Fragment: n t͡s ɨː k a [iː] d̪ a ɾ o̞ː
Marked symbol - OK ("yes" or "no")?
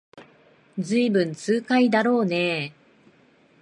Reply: no